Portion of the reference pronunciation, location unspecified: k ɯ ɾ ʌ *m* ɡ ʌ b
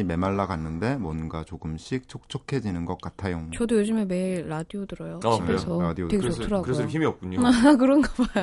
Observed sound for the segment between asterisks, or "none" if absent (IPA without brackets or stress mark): n